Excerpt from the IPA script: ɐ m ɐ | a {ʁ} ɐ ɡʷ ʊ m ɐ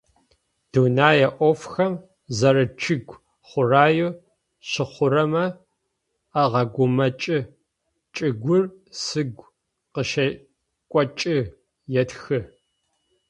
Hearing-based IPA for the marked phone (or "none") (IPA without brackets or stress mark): ʁ